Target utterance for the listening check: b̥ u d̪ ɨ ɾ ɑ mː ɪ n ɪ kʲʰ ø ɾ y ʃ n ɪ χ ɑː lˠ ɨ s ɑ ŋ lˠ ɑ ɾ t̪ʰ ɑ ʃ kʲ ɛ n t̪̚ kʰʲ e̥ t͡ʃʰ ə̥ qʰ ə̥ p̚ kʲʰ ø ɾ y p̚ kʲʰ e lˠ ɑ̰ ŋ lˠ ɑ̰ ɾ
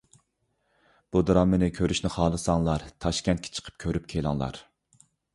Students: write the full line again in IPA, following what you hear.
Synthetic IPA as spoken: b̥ u d̪ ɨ ɾ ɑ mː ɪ n ɪ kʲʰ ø ɾ y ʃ n ɪ χ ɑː lˠ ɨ s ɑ ŋ lˠ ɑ ɾ t̪ʰ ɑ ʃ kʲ ɛ n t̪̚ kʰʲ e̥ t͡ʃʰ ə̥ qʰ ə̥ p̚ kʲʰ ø ɾ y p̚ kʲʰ e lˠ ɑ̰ ŋ lˠ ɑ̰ ɾ